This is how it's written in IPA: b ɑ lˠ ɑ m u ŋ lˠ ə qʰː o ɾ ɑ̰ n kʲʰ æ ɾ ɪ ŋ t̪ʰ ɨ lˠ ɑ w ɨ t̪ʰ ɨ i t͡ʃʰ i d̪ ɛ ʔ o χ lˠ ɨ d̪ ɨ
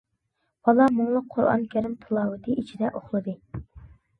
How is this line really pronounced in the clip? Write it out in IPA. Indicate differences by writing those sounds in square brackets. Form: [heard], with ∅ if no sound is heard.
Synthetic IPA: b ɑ lˠ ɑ m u ŋ lˠ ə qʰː o ɾ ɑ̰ n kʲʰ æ ɾ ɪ [m] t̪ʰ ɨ lˠ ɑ w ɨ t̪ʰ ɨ i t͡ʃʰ i d̪ ɛ ʔ o χ lˠ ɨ d̪ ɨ